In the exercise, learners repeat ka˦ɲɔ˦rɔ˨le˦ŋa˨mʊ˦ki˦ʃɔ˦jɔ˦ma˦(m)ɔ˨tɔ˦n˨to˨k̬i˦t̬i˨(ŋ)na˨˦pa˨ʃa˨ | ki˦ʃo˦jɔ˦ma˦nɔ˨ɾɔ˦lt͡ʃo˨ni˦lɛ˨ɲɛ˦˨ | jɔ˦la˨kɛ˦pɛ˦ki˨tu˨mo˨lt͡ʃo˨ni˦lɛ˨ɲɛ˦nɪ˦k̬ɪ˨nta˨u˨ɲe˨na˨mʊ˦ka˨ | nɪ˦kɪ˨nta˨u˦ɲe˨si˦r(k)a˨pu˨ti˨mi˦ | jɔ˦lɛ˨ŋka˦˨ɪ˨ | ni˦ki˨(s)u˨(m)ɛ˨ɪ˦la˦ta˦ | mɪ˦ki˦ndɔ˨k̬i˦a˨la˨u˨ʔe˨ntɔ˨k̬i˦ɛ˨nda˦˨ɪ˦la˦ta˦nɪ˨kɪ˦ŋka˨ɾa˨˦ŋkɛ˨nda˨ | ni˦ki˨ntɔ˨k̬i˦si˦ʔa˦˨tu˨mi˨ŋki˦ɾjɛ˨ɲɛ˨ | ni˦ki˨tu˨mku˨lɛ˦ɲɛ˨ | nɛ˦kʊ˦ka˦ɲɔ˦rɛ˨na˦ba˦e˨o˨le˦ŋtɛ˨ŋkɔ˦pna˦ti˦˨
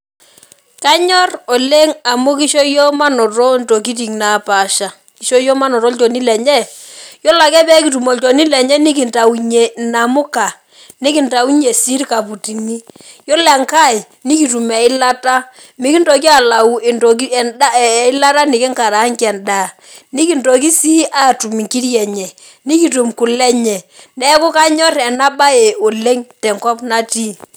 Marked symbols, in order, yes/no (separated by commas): no, yes, yes, no, yes